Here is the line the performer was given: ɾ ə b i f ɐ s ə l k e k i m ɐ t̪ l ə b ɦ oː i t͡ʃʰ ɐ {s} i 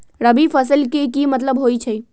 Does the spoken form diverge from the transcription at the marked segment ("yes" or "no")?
yes